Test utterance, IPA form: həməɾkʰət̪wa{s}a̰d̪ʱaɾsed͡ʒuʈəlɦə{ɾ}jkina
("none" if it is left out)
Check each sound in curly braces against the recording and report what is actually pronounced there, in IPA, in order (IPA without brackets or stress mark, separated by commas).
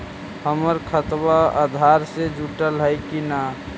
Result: none, none